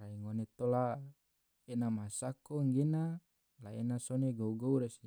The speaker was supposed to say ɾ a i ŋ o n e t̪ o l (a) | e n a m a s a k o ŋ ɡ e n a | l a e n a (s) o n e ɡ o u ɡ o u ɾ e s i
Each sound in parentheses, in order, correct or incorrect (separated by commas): correct, correct